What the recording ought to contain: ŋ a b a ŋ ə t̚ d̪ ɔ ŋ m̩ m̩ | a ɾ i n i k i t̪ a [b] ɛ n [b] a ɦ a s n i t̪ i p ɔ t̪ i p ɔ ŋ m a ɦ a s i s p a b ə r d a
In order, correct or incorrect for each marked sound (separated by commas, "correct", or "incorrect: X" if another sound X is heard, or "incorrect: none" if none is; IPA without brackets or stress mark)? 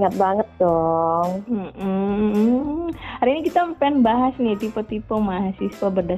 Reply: incorrect: p, correct